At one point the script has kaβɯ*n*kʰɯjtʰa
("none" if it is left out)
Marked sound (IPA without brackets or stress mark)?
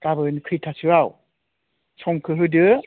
n